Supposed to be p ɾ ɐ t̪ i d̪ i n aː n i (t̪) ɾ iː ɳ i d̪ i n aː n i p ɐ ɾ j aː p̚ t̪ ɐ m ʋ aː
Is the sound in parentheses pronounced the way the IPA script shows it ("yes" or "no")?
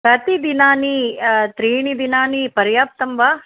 yes